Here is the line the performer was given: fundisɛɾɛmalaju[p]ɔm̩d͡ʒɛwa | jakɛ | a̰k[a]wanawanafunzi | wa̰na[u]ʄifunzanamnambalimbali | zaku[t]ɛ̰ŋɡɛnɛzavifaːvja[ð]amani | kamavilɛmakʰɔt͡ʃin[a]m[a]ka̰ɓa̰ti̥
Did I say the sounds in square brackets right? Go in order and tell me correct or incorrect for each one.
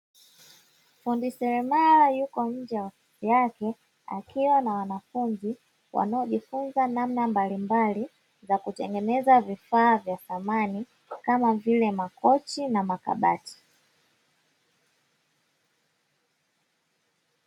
incorrect: k, incorrect: i, incorrect: ɔ, correct, incorrect: θ, correct, correct

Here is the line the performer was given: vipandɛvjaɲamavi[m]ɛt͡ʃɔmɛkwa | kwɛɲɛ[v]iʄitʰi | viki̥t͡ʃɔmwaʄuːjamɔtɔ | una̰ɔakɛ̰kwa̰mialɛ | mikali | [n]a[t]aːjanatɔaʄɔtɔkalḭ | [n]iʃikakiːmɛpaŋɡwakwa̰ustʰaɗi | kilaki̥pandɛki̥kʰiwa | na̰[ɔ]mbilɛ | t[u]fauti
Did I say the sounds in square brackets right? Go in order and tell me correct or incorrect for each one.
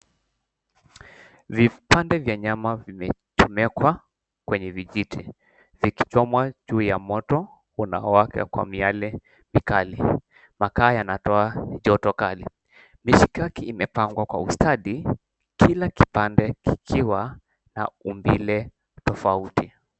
correct, correct, incorrect: m, incorrect: k, incorrect: m, incorrect: u, incorrect: ɔ

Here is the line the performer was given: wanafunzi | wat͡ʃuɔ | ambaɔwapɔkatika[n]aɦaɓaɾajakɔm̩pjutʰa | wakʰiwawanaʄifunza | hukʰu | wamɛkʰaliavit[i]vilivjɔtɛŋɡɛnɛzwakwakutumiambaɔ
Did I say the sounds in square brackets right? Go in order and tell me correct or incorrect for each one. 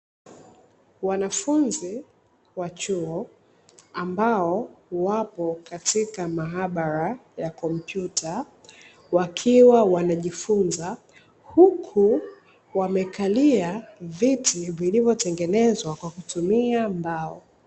incorrect: m, correct

